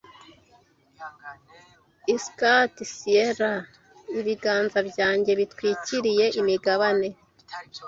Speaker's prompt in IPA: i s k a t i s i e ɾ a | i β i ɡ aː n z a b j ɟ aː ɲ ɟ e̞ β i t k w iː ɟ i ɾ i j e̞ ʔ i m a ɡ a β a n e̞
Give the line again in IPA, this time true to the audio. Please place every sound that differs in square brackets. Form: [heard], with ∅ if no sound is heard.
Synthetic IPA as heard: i s k a t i s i e ɾ a | i β i ɡ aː n z a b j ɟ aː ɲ ɟ e̞ β i t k w iː [c] i ɾ i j e̞ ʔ i m [i] ɡ a β a n e̞